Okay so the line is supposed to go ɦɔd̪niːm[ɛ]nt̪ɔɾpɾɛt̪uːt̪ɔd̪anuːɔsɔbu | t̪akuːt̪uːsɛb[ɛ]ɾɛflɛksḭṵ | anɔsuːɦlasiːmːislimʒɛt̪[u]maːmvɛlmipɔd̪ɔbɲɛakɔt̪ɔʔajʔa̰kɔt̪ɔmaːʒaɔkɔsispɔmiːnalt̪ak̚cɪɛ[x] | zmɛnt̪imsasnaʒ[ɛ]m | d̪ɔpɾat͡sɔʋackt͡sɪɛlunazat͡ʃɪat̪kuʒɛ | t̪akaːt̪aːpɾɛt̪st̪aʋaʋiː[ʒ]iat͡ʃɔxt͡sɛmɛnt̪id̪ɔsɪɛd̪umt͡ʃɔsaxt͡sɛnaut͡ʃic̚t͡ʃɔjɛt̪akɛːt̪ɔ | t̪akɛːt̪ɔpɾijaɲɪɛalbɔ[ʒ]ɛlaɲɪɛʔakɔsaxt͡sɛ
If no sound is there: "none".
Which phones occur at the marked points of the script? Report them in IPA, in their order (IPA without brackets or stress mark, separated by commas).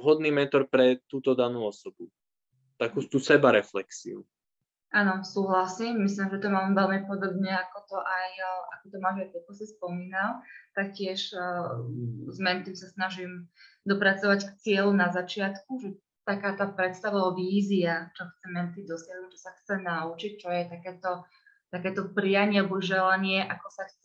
ɛ, a, ɔ, ʃ, i, z, ʒ